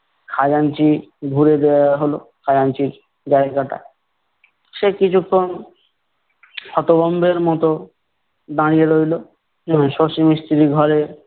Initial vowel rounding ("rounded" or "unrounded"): unrounded